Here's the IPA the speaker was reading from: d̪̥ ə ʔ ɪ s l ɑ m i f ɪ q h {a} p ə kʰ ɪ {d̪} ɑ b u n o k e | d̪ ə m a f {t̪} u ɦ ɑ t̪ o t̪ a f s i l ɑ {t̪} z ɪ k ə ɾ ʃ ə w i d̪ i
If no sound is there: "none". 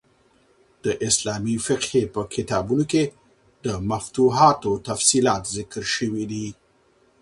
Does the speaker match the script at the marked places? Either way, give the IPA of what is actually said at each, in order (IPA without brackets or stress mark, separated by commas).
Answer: e, t̪, t̪, t̪